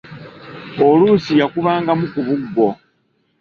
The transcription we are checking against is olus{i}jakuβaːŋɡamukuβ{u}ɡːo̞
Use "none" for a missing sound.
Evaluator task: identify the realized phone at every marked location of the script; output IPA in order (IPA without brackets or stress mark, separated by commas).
i, u